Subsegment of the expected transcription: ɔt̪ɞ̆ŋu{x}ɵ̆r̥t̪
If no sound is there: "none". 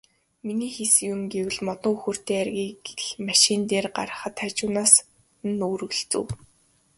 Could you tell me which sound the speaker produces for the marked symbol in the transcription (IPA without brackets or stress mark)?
x